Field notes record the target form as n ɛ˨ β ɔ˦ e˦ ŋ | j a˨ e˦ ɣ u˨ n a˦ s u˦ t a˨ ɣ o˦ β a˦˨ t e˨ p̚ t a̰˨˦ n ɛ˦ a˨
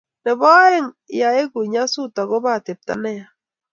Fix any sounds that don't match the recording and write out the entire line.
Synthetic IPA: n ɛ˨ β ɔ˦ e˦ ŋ | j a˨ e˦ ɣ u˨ ɲ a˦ s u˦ t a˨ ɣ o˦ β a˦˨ t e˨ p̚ t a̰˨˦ n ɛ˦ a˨